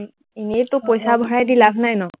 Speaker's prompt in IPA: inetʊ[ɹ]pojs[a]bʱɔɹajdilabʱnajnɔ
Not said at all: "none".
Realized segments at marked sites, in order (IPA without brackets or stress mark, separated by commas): none, a